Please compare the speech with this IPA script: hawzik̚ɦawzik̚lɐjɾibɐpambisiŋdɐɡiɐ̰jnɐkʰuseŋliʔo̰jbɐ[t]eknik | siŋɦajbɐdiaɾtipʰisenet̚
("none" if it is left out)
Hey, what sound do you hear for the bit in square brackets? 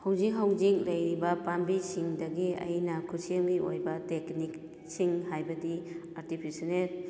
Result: t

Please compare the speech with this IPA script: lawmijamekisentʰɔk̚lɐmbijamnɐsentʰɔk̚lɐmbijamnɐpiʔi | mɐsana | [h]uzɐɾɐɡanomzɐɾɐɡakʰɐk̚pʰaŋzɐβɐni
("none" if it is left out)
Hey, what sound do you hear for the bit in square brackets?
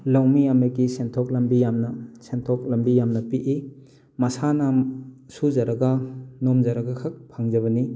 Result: s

